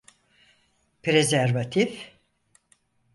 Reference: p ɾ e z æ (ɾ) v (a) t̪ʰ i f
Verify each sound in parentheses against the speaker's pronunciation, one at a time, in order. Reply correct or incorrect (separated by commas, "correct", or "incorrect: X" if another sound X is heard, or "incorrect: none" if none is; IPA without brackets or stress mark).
correct, correct